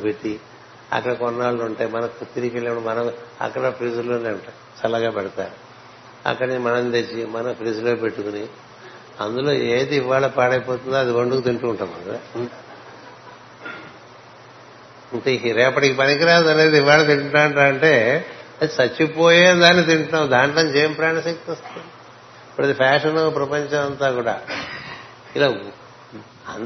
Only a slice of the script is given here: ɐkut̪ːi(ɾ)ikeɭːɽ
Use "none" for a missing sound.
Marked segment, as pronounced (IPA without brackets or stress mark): ɾ